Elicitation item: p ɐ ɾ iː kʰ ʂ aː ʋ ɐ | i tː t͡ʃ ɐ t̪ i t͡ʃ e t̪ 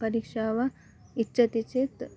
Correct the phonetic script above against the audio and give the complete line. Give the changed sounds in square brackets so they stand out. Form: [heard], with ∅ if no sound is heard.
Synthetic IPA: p ɐ ɾ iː [k] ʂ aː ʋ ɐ | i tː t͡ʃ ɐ t̪ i t͡ʃ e t̪